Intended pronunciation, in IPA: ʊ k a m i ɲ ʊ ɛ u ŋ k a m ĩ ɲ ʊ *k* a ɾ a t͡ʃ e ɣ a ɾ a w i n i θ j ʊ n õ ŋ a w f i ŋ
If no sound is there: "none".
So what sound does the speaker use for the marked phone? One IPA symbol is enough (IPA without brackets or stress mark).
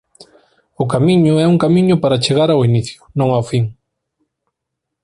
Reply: p